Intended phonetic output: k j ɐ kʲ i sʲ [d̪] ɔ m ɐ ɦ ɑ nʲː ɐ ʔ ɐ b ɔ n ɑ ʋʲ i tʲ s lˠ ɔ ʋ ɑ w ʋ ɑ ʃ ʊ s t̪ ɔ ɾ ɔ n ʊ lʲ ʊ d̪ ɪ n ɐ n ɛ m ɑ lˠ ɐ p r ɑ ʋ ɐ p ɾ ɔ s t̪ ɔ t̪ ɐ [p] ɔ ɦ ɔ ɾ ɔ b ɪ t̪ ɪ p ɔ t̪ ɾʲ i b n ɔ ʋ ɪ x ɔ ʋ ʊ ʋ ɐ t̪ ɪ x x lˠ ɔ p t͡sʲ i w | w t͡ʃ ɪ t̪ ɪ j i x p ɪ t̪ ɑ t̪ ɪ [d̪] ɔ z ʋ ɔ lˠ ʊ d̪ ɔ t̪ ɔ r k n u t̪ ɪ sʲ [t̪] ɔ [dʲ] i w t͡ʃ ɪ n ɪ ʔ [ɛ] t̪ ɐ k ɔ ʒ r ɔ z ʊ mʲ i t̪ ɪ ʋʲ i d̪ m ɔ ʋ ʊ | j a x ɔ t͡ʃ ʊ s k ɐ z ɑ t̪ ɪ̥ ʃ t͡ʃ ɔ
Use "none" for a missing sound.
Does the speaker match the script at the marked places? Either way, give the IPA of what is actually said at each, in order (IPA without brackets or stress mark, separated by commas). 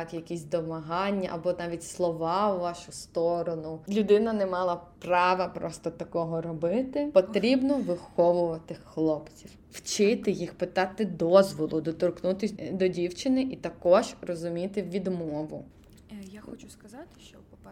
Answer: d̪, k, d̪, d̪, dʲ, i